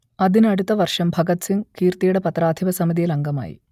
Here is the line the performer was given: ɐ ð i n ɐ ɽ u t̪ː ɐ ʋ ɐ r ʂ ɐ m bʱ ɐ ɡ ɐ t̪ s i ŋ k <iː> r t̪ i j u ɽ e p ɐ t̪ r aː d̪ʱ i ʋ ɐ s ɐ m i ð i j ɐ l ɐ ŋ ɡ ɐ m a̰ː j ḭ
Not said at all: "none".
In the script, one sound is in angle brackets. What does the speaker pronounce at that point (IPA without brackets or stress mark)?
iː